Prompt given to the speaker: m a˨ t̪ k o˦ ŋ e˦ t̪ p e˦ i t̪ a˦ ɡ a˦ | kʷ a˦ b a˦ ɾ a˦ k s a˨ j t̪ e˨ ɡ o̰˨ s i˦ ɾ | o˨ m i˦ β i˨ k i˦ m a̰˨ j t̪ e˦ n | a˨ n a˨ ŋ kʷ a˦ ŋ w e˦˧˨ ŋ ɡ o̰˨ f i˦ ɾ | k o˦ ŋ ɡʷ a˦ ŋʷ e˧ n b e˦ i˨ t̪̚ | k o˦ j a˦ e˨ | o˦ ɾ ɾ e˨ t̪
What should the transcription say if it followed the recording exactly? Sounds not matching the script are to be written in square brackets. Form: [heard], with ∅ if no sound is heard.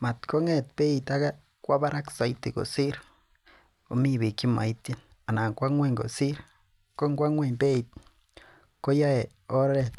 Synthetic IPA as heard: m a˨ t̪ k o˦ ŋ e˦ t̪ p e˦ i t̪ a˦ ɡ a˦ | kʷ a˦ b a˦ ɾ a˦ k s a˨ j t̪ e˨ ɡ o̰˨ s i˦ ɾ | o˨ m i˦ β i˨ k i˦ m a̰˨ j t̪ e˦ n | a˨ n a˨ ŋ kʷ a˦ ŋ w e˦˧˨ ŋ ɡ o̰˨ [s] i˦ ɾ | k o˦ ŋ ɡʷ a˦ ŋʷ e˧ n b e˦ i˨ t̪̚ | k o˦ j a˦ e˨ | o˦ ɾ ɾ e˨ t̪